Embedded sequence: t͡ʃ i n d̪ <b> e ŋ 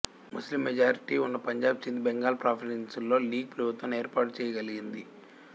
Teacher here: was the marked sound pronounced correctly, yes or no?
yes